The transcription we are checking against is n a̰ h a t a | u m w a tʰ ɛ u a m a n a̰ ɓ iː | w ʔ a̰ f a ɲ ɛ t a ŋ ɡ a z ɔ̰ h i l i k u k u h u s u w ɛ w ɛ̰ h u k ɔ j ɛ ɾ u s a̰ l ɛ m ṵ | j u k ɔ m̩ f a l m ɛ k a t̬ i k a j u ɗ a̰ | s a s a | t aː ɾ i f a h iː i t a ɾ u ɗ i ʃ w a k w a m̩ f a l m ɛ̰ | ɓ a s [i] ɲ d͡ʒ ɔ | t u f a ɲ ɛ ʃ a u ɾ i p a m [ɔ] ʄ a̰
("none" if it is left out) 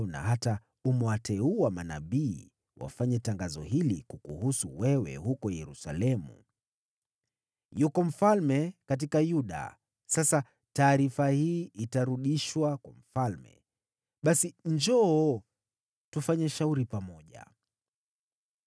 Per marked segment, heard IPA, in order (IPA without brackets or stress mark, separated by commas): i, ɔ